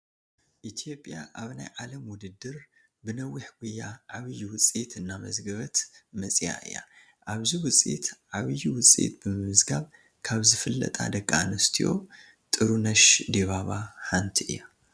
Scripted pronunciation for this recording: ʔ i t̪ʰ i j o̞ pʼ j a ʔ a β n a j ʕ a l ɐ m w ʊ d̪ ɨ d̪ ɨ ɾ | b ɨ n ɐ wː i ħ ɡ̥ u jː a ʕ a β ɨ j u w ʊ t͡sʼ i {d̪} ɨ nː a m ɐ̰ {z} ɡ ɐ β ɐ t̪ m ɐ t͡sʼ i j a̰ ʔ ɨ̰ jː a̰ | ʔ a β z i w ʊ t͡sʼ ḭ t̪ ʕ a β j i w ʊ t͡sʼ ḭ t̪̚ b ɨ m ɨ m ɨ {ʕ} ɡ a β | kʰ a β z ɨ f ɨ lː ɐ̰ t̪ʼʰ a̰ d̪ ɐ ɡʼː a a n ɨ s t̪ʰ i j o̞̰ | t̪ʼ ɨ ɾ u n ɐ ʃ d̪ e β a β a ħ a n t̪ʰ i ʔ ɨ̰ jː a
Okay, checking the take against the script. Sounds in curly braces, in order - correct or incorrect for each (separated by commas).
incorrect, correct, incorrect